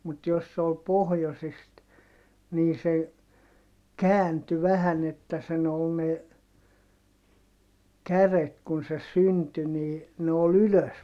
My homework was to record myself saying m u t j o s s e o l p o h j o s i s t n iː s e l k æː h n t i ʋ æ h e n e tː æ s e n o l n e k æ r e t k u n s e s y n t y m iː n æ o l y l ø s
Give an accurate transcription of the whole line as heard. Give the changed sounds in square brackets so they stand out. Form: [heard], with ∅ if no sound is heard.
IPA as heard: m u t j o s s e o l p o h j o s i s t n iː s e [∅] k æː [∅] n t [y] ʋ æ h [æ] n e tː æ s e n o l n e k æ r e t k u n s e s y n t y [n] iː n [e] o l y l ø s